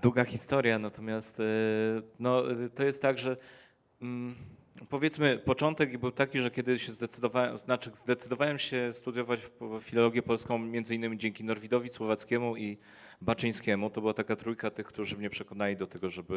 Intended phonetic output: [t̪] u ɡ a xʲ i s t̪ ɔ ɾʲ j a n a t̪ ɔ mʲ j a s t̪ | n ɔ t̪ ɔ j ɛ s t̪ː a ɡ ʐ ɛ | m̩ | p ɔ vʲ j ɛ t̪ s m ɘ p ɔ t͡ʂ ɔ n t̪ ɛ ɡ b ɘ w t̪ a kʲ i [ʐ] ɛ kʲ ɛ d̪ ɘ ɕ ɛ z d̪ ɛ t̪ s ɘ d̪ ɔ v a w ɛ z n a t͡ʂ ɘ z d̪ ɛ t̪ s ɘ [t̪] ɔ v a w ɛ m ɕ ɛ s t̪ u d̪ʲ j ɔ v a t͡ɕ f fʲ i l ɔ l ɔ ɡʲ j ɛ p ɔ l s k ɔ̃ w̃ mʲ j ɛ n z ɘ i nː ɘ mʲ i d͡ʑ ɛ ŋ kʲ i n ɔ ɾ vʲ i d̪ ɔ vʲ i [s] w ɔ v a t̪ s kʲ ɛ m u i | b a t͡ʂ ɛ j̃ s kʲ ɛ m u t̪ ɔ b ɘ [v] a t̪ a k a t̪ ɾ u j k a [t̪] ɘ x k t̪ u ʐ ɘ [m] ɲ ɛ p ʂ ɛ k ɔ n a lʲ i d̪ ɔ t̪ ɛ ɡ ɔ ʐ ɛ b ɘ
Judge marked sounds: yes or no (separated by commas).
no, yes, no, yes, no, yes, yes